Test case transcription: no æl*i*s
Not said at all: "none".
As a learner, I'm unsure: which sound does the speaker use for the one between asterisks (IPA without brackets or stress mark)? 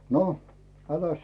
æ